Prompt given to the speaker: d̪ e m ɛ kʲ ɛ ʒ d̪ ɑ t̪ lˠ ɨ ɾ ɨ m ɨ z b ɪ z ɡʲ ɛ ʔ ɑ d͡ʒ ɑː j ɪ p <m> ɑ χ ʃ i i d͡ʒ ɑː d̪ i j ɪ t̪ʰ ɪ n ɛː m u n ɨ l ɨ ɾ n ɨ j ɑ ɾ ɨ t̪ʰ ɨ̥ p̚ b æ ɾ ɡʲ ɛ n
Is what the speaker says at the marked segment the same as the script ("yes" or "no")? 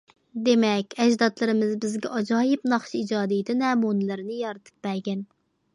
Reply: no